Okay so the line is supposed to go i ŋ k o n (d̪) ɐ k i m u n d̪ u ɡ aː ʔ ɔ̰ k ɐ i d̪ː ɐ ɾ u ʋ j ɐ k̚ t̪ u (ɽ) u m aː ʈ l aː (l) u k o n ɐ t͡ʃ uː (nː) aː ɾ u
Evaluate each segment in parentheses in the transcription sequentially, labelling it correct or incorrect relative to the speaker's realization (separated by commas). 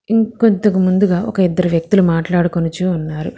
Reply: incorrect, incorrect, incorrect, correct